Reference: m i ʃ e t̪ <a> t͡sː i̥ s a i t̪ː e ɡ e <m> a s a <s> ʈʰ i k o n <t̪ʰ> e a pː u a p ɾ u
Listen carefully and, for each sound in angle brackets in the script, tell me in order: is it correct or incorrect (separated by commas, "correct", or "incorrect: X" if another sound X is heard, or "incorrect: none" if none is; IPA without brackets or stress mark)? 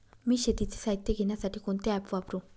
incorrect: i, incorrect: n, incorrect: none, incorrect: t̪